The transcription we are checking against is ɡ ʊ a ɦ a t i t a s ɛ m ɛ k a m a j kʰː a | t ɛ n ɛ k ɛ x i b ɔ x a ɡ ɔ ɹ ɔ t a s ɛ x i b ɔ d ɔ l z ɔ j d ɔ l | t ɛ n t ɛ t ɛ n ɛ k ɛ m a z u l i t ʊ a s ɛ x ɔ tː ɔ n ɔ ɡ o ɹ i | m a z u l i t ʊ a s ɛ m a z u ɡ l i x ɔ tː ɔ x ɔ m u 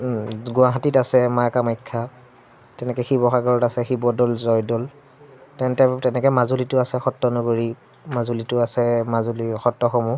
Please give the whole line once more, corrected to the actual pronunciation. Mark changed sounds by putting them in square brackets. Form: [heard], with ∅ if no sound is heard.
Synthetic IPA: ɡ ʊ a ɦ a t i t a s ɛ m [a] k a m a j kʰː a | t ɛ n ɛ k ɛ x i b ɔ x a ɡ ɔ ɹ ɔ t a s ɛ x i b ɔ d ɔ l z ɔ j d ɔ l | t ɛ n t ɛ t ɛ n ɛ k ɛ m a z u l i t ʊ a s ɛ x ɔ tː ɔ n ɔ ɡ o ɹ i | m a z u l i t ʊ a s ɛ m a z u [∅] l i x ɔ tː ɔ x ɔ m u